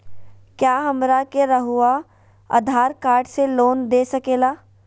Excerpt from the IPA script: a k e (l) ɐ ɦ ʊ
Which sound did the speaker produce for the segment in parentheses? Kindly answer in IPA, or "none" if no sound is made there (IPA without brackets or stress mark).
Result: ɾ